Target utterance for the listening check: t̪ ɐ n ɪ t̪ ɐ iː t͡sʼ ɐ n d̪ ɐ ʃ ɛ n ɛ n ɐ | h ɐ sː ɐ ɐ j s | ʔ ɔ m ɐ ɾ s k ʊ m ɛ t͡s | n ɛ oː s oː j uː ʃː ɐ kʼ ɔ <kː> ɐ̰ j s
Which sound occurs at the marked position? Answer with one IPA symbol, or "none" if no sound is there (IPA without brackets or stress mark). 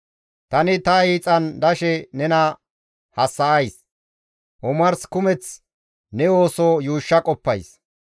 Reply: pː